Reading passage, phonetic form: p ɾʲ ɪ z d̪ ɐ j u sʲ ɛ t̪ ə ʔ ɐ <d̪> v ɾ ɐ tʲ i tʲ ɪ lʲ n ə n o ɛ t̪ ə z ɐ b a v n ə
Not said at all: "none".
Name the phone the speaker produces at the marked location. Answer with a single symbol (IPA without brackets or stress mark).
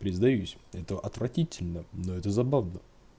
t̪